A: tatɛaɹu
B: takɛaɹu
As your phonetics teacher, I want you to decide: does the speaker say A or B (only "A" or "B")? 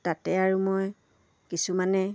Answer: A